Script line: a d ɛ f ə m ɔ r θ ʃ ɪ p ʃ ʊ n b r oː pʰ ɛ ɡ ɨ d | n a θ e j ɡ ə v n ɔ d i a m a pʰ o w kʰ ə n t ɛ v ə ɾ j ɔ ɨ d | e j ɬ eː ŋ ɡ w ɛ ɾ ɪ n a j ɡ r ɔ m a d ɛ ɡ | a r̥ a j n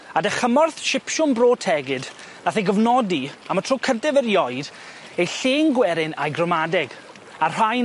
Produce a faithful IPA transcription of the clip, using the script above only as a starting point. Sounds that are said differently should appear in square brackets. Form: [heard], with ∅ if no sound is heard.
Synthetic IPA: a d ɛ [χ] ə m ɔ r θ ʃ ɪ p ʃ ʊ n b r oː [tʰ] ɛ ɡ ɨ d | n a θ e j ɡ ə v n ɔ d i a m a [tʰ] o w kʰ ə n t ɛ v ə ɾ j ɔ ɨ d | e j ɬ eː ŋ ɡ w ɛ ɾ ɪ n a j ɡ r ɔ m a d ɛ ɡ | a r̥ a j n